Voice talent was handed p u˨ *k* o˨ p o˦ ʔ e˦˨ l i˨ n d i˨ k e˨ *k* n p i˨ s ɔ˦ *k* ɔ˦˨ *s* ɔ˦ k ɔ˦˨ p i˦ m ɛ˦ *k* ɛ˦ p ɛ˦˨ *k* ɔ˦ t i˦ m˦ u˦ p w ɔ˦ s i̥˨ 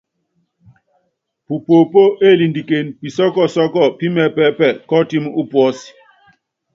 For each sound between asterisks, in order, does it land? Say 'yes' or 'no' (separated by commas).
no, no, yes, yes, no, yes